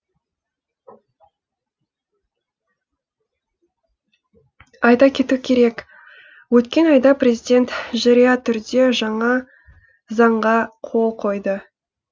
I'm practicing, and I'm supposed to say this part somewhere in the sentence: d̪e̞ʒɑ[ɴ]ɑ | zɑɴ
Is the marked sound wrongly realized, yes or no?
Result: no